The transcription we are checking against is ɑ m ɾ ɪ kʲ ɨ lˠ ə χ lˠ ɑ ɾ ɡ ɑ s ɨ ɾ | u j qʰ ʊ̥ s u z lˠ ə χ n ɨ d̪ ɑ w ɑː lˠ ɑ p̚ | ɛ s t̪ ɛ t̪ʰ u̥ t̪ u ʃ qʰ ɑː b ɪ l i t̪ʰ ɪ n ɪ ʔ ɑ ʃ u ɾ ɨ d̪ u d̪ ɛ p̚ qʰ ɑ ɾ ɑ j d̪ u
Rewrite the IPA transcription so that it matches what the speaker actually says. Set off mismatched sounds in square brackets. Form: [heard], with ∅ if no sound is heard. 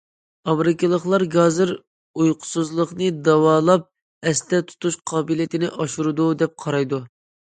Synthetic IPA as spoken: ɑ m ɾ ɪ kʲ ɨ lˠ ə χ lˠ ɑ ɾ ɡ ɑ [z] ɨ ɾ | u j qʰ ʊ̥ s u z lˠ ə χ n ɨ d̪ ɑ w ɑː lˠ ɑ p̚ | ɛ s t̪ ɛ t̪ʰ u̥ t̪ u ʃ qʰ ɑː b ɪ l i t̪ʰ ɪ n ɪ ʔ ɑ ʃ u ɾ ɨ d̪ u d̪ ɛ p̚ qʰ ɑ ɾ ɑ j d̪ u

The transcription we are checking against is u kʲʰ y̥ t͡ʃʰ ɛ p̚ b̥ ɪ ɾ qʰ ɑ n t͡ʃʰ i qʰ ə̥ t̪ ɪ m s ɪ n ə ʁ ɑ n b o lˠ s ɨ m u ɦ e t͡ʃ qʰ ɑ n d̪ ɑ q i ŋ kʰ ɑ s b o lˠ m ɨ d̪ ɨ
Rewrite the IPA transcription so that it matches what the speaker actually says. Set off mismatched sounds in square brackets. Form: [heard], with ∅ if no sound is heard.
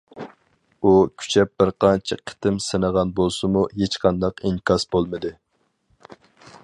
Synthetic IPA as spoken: u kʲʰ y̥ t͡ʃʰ ɛ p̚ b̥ ɪ ɾ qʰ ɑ n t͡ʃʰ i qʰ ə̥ t̪ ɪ m s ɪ n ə ʁ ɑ n b o lˠ s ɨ m u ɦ e t͡ʃ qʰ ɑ n d̪ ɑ q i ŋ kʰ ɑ s b o lˠ m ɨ d̪ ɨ

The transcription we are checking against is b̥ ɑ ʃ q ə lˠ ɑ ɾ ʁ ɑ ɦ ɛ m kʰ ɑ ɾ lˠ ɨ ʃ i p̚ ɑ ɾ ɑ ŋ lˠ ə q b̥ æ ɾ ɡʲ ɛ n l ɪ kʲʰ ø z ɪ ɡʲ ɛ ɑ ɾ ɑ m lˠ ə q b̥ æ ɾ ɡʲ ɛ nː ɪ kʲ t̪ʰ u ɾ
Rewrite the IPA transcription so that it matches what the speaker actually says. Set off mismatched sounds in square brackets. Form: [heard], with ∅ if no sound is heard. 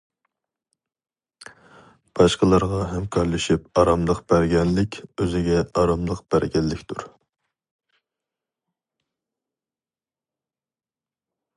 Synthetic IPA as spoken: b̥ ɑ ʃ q ə lˠ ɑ ɾ ʁ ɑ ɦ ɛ m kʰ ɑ ɾ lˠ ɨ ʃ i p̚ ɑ ɾ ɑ [m] lˠ ə q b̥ æ ɾ ɡʲ ɛ n l ɪ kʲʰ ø z ɪ ɡʲ ɛ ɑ ɾ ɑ m lˠ ə q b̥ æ ɾ ɡʲ ɛ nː ɪ kʲ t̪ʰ u ɾ

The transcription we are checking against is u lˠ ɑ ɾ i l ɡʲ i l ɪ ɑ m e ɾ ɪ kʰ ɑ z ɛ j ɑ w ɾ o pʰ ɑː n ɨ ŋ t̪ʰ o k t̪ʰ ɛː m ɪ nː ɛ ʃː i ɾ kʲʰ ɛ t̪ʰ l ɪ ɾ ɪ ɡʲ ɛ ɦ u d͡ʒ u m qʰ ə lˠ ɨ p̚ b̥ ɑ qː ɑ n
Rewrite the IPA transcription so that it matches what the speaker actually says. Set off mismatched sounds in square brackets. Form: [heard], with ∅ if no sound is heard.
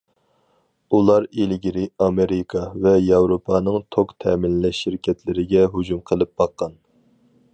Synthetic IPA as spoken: u lˠ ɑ ɾ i l ɡʲ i [ɾ] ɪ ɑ m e ɾ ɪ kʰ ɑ [v] ɛ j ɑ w ɾ o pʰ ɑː n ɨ ŋ t̪ʰ o k t̪ʰ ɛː m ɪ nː ɛ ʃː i ɾ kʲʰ ɛ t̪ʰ l ɪ ɾ ɪ ɡʲ ɛ ɦ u d͡ʒ u m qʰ ə lˠ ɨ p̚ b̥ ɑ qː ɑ n

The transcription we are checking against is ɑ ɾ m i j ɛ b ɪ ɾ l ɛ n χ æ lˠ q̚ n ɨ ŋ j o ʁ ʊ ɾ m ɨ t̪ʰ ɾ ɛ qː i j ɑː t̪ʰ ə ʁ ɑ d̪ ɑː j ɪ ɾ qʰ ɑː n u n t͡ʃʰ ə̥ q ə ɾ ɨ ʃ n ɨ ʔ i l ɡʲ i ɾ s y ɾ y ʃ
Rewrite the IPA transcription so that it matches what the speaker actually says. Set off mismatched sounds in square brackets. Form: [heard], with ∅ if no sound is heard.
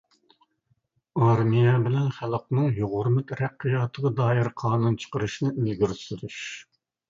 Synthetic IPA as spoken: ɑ ɾ m i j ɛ b ɪ [∅] l ɛ n χ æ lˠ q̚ n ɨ ŋ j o ʁ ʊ ɾ m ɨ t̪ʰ ɾ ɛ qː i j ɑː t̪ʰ ə ʁ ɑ d̪ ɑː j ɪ ɾ qʰ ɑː n u n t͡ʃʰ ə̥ q ə ɾ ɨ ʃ n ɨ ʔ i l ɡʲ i ɾ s y ɾ y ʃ

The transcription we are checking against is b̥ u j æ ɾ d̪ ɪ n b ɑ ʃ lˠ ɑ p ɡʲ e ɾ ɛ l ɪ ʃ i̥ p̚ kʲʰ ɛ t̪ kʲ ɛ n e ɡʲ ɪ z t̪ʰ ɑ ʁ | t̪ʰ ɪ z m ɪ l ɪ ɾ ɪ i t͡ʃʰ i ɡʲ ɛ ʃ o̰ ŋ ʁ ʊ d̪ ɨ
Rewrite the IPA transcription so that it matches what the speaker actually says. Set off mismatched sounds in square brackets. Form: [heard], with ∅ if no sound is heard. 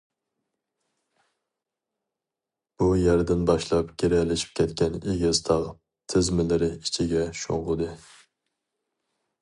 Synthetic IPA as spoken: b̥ u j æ ɾ d̪ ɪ n b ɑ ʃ lˠ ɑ p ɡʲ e ɾ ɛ l ɪ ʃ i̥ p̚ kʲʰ ɛ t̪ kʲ ɛ n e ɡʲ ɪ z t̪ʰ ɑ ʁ | t̪ʰ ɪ z m ɪ l ɪ ɾ ɪ i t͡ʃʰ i ɡʲ ɛ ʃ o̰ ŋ ʁ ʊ d̪ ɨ

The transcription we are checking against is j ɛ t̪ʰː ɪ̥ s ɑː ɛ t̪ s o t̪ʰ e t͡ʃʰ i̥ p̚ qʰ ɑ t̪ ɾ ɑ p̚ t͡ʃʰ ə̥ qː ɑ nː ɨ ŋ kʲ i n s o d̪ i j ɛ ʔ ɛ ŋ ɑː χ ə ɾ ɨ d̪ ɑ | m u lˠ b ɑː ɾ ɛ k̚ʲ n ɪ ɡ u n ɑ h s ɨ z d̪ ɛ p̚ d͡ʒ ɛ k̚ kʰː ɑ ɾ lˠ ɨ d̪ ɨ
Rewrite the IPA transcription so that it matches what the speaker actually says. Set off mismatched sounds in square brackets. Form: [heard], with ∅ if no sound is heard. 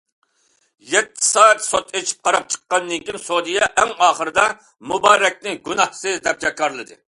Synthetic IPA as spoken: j ɛ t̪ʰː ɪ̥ s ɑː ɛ t̪ s o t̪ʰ e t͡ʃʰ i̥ p̚ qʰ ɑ [∅] ɾ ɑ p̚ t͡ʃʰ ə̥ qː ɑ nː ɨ ŋ kʲ i n s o d̪ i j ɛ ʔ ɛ ŋ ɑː χ ə ɾ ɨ d̪ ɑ | m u [∅] b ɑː ɾ ɛ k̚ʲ n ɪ ɡ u n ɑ h s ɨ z d̪ ɛ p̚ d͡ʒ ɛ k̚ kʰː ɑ ɾ lˠ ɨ d̪ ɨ

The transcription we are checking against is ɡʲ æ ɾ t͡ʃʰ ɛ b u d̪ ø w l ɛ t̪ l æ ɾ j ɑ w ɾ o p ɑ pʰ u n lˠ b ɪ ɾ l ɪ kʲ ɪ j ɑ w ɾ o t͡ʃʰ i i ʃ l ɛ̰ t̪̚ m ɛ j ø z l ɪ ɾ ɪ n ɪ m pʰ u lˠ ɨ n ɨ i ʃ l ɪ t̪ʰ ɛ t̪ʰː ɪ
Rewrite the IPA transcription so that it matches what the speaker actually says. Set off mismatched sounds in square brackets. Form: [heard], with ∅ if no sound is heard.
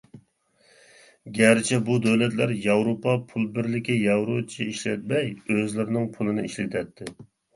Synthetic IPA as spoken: ɡʲ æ ɾ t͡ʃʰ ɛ b u d̪ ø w l ɛ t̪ l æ ɾ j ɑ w ɾ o p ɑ pʰ u [∅] lˠ b ɪ ɾ l ɪ kʲ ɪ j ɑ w ɾ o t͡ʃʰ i i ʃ l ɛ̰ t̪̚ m ɛ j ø z l ɪ ɾ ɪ n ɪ [ŋ] pʰ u lˠ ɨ n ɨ i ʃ l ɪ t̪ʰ ɛ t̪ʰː ɪ

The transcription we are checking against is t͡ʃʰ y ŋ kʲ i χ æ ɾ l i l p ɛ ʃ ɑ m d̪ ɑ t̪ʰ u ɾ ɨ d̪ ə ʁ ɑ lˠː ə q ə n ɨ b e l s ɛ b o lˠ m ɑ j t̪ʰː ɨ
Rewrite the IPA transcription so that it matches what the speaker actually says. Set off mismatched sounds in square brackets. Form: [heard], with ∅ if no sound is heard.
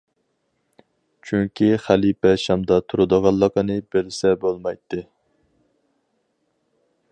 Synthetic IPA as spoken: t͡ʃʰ y ŋ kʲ i χ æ [∅] l i [∅] p ɛ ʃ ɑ m d̪ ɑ t̪ʰ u ɾ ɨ d̪ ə ʁ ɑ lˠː ə q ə n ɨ b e l s ɛ b o lˠ m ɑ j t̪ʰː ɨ

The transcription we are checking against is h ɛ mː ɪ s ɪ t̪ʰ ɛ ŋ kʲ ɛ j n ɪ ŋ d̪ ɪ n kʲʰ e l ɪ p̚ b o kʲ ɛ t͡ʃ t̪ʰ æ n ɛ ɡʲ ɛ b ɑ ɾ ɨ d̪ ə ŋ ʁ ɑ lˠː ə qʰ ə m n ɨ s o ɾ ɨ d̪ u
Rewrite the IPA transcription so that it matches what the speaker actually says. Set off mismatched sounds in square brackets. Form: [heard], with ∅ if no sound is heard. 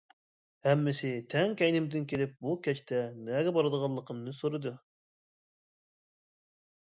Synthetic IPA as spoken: h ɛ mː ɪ s ɪ t̪ʰ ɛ ŋ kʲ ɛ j n ɪ [m] d̪ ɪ n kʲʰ e l ɪ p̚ b [u] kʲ ɛ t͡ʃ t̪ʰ [ɛ] n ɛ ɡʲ ɛ b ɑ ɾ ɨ d̪ ə [∅] ʁ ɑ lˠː ə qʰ ə m n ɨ s o ɾ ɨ d̪ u

